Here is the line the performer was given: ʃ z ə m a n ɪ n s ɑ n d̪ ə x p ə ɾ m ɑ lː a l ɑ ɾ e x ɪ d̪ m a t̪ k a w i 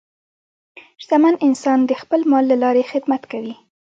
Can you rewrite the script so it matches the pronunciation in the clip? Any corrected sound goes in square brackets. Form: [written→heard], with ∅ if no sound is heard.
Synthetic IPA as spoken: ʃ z [ə→a] m a n ɪ n s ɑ n d̪ ə x p ə [ɾ→l] m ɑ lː a l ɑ ɾ e x ɪ d̪ m a t̪ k a w i

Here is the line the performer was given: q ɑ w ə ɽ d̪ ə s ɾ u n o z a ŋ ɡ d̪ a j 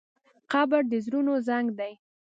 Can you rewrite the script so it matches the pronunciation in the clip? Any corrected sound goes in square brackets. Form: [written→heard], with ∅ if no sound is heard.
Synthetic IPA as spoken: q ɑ [w→b] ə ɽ d̪ ə [s→z] ɾ u n o z a ŋ ɡ d̪ a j

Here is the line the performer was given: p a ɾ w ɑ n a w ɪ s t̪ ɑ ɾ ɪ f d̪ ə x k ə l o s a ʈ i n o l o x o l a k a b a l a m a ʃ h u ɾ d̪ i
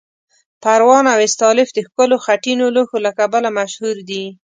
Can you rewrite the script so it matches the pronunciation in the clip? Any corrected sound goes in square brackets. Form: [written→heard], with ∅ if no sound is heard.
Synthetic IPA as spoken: p a ɾ w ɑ n a w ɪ s t̪ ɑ [ɾ→l] ɪ f d̪ ə x k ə l o [s→x] a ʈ i n o l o x o l a k a b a l a m a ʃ h u ɾ d̪ i

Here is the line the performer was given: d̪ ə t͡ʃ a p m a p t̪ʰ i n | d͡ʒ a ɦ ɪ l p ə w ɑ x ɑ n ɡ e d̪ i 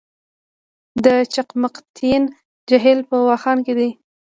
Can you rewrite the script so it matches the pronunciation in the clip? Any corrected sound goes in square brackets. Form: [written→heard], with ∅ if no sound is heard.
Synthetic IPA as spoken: d̪ ə t͡ʃ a [p→q] m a [p→q] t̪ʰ i n | d͡ʒ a ɦ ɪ l p ə w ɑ x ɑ n [ɡ→k] e d̪ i

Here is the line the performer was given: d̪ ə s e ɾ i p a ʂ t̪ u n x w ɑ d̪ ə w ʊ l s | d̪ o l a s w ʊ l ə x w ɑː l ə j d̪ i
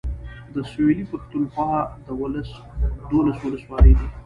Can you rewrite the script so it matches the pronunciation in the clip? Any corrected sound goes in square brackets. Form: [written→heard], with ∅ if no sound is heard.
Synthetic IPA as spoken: d̪ ə s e [ɾ→l] i p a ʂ t̪ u n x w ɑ d̪ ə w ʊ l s | d̪ o l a s w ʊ l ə [x→s] w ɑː l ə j d̪ i

